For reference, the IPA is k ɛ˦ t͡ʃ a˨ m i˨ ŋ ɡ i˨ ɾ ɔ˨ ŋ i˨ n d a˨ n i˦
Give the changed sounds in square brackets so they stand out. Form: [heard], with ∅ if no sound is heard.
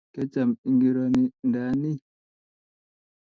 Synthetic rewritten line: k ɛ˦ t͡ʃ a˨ m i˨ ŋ ɡ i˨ ɾ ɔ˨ [n] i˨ n d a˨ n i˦